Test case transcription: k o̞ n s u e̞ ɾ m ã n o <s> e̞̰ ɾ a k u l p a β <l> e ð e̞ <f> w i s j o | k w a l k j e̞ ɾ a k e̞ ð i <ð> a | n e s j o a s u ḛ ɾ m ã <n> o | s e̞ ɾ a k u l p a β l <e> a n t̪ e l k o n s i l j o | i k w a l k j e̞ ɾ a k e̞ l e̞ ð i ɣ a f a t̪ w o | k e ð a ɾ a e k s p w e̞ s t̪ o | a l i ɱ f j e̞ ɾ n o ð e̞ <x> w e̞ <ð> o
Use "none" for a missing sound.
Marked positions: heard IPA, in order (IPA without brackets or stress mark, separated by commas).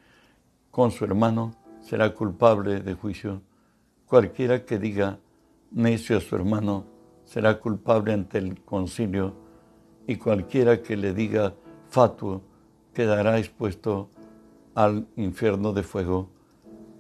s, l, x, ɣ, n, e, f, ɣ